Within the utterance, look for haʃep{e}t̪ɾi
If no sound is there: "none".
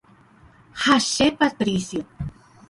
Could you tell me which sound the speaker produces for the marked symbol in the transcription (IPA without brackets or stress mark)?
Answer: a